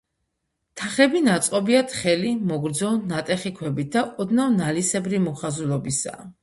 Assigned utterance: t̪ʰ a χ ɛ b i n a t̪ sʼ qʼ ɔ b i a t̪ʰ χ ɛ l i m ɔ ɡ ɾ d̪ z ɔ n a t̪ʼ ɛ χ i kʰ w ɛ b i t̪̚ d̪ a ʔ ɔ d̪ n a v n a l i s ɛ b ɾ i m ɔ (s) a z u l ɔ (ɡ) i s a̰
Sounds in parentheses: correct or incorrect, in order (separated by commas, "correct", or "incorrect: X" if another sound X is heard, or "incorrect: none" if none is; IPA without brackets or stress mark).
incorrect: χ, incorrect: b